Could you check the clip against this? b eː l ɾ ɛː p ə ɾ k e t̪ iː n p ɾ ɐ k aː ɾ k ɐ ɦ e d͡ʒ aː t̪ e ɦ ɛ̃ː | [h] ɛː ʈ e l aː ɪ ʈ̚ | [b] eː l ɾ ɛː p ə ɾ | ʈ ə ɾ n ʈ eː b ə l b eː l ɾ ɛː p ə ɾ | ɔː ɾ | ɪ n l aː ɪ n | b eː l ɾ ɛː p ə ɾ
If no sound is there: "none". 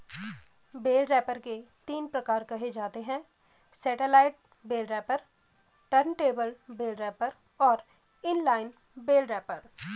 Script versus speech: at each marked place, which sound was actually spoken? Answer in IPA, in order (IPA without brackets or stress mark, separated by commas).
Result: s, b